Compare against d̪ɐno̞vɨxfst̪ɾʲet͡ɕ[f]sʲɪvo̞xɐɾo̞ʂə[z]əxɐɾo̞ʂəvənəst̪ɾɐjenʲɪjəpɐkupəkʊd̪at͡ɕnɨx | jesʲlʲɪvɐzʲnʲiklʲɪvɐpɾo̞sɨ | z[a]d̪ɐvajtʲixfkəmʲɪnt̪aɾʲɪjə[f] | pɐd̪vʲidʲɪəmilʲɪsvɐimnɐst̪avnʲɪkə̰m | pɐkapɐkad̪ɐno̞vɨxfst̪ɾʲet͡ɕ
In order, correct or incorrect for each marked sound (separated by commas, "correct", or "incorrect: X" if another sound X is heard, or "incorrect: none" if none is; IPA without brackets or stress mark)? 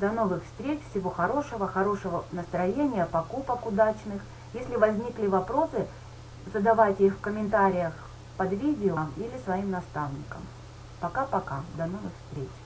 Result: correct, incorrect: v, incorrect: ə, incorrect: x